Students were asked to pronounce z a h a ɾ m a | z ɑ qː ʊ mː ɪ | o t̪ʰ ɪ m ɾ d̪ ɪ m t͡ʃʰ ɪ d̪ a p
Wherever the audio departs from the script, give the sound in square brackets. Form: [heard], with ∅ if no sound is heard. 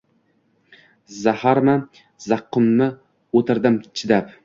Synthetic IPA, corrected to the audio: z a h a ɾ m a | z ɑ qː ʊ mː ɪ | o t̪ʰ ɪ [∅] ɾ d̪ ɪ m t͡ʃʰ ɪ d̪ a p